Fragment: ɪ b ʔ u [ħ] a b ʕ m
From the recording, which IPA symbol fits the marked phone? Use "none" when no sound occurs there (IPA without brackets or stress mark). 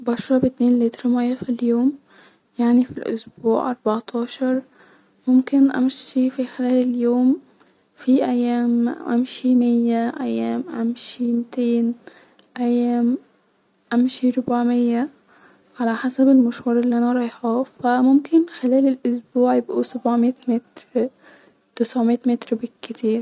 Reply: s